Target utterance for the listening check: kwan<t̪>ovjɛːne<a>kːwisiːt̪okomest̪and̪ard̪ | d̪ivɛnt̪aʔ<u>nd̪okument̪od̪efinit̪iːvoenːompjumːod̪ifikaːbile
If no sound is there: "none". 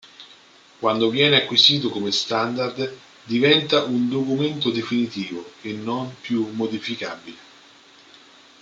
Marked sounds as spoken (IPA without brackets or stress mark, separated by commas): d̪, a, u